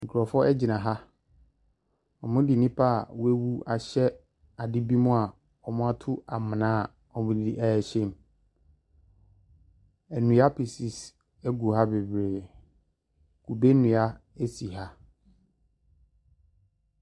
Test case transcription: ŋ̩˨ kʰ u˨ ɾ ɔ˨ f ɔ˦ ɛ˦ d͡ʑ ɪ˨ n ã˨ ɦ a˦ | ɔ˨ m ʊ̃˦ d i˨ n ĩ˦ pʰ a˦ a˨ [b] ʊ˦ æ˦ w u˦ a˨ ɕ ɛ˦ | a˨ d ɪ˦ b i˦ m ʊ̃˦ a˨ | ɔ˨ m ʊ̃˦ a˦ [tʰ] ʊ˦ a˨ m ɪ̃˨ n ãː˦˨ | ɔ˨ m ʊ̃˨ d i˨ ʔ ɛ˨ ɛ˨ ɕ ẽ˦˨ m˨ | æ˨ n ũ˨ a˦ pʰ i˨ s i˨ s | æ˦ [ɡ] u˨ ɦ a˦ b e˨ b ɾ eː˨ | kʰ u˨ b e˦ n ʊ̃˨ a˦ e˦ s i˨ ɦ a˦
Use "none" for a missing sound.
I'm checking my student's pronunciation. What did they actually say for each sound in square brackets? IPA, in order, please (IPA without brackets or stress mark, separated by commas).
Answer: w, tʰ, ɡ